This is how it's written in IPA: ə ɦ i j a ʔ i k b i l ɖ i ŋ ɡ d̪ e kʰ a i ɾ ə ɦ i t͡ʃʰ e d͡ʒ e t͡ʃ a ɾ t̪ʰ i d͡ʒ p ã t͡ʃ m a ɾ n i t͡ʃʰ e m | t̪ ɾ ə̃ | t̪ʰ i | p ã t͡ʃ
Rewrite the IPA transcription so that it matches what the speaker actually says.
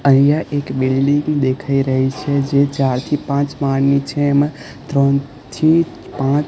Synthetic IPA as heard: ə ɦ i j a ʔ e k b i l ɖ i ŋ ɡ d̪ e kʰ a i ɾ ə ɦ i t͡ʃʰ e d͡ʒ e t͡ʃ a ɾ t̪ʰ i p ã t͡ʃ m a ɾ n i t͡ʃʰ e m | t̪ ɾ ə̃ | t̪ʰ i | p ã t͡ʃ